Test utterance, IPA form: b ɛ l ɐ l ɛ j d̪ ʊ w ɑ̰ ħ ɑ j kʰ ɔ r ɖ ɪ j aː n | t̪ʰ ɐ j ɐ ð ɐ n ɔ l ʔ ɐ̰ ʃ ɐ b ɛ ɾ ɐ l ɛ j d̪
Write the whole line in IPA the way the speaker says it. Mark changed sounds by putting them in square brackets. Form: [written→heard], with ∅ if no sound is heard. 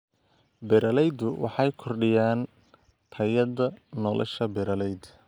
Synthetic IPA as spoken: b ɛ [l→ɾ] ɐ l ɛ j d̪ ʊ w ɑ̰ ħ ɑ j kʰ ɔ r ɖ ɪ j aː n | t̪ʰ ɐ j ɐ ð ɐ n ɔ l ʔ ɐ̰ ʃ ɐ b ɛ ɾ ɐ l ɛ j d̪